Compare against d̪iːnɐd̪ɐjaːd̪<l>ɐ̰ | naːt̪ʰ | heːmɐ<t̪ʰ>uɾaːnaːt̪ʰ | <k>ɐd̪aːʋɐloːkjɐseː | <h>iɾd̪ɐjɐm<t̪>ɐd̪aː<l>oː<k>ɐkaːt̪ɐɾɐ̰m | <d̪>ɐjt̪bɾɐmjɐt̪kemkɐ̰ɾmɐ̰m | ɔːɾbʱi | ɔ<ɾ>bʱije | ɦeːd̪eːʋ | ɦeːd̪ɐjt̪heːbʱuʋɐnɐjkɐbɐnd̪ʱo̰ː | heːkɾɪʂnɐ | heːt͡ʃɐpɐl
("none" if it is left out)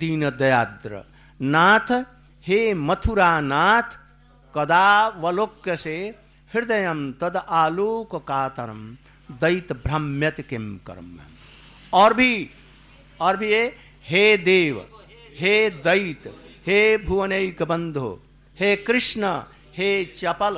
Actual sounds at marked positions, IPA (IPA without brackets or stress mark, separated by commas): ɾ, t̪ʰ, k, h, t̪, l, k, d̪, ɾ